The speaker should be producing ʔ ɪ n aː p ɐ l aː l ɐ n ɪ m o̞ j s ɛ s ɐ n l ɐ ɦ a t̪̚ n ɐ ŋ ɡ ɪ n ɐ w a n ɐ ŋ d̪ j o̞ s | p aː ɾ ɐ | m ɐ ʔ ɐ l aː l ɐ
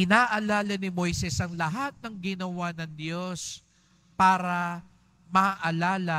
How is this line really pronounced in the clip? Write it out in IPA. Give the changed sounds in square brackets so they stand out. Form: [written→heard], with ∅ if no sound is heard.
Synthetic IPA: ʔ ɪ n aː [p→ʔ] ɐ l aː l ɐ n ɪ m o̞ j s ɛ s ɐ [n→ŋ] l ɐ ɦ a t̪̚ n ɐ ŋ ɡ ɪ n ɐ w a n ɐ ŋ d̪ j o̞ s | p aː ɾ ɐ | m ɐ ʔ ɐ l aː l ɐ

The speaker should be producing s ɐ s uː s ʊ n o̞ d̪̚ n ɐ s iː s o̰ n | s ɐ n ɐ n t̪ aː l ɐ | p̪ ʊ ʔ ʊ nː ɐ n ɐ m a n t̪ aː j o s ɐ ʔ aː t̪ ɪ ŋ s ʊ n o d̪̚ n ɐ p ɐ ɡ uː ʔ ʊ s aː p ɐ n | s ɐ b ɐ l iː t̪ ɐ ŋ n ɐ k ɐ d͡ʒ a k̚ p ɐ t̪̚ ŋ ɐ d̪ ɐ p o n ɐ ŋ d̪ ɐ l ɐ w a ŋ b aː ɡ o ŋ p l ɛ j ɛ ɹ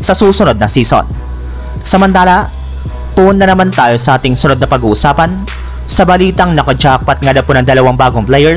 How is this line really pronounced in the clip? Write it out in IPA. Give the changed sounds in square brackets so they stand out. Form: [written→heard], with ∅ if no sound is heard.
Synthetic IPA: s ɐ s uː s ʊ n o̞ d̪̚ n ɐ s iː s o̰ n | s ɐ [n→m] ɐ n t̪ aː l ɐ | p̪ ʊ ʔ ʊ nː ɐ n ɐ m a n t̪ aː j o s ɐ ʔ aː t̪ ɪ ŋ s ʊ n o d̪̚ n ɐ p ɐ ɡ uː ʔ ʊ s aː p ɐ n | s ɐ b ɐ l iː t̪ ɐ ŋ n ɐ k ɐ d͡ʒ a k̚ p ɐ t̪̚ ŋ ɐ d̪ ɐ p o n ɐ ŋ d̪ ɐ l ɐ w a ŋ b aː ɡ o ŋ p l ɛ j ɛ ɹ

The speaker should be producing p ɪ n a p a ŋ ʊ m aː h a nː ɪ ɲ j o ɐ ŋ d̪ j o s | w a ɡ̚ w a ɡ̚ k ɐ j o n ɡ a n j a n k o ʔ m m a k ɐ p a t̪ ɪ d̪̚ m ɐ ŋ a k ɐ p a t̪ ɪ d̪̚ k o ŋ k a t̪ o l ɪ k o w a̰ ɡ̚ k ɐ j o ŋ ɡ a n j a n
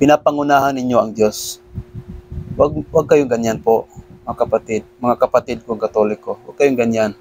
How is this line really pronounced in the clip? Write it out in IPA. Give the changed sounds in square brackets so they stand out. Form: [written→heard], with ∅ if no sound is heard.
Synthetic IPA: p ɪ n a p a ŋ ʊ [m→n] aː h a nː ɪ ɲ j o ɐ ŋ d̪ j o s | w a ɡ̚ w a ɡ̚ k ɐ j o [n→ŋ] ɡ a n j a n [k→p] o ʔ m [m→ŋ] a k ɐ p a t̪ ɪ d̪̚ m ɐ ŋ a k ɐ p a t̪ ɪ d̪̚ k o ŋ k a t̪ o l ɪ k o w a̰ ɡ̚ k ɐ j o ŋ ɡ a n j a n

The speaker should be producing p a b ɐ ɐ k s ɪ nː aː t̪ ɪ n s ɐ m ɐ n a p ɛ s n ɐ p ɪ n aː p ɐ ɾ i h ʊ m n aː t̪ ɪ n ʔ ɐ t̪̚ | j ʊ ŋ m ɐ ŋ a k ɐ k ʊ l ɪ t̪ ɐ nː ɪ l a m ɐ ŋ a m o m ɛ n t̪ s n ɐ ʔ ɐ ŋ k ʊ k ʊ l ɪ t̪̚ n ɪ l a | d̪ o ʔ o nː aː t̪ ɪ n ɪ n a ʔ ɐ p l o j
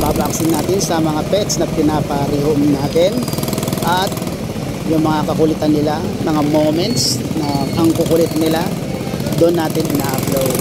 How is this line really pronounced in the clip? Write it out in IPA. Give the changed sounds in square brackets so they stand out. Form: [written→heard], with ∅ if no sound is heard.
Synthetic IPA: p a b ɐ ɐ k s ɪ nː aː t̪ ɪ n s ɐ m ɐ [n→ŋ] a p ɛ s n ɐ p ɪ n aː p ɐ ɾ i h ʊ m n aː t̪ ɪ n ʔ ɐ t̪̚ | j ʊ ŋ m ɐ ŋ a k ɐ k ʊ l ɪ t̪ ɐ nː ɪ l a m ɐ ŋ a m o m ɛ n t̪ s n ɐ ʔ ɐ ŋ k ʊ k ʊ l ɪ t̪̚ n ɪ l a | d̪ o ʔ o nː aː t̪ ɪ n ɪ n a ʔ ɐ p l o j

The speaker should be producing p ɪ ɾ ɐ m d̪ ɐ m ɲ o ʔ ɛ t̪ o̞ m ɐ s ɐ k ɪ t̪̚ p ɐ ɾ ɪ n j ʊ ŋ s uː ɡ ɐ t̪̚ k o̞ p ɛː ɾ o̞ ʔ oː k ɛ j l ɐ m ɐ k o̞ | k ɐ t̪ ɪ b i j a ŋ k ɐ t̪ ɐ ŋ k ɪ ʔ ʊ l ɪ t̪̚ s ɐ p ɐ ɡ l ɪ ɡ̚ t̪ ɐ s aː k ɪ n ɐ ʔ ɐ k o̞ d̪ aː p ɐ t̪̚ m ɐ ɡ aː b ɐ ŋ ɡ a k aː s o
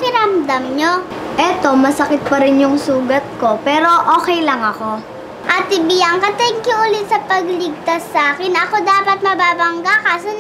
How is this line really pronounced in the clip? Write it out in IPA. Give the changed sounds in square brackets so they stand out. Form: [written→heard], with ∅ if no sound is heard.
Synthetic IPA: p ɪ ɾ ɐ m d̪ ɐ m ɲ o ʔ ɛ t̪ o̞ m ɐ s ɐ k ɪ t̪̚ p ɐ ɾ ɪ n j ʊ ŋ s uː ɡ ɐ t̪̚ k o̞ p ɛː ɾ o̞ ʔ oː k ɛ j l ɐ [m→ŋ] ɐ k o̞ | [k→ʔ] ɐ t̪ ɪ b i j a ŋ k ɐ t̪ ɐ ŋ k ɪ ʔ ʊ l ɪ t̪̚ s ɐ p ɐ ɡ l ɪ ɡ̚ t̪ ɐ s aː k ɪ n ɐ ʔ ɐ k o̞ d̪ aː p ɐ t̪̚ m ɐ [ɡ→b] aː b ɐ ŋ ɡ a k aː s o

